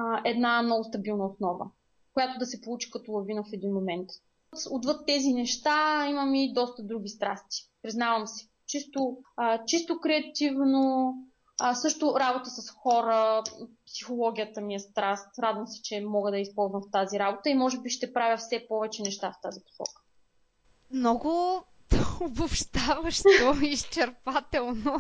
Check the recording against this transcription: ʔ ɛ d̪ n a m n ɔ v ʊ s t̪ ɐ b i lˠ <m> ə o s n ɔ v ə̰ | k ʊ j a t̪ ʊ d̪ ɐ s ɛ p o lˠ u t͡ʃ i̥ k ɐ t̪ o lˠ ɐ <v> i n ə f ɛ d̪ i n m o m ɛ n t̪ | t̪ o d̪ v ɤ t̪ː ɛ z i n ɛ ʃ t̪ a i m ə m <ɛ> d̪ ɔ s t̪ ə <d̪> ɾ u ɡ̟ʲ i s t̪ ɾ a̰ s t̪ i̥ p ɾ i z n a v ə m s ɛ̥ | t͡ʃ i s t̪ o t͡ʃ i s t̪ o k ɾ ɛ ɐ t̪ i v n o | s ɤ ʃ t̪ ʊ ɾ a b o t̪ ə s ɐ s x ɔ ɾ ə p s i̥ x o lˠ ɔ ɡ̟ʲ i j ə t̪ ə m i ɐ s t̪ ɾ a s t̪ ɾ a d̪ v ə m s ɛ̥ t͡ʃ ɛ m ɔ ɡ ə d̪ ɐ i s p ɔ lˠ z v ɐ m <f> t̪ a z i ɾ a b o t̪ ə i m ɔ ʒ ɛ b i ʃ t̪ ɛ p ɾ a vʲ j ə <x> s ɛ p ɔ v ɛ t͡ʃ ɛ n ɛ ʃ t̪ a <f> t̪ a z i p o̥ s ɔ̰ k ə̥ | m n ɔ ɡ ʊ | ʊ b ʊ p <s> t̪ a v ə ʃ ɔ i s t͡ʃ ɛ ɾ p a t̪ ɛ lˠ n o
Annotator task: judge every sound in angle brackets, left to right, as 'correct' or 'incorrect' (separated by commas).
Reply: incorrect, correct, incorrect, correct, correct, incorrect, correct, incorrect